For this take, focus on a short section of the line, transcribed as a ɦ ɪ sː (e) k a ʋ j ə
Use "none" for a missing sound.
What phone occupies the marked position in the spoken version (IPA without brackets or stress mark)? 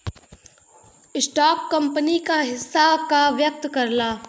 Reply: a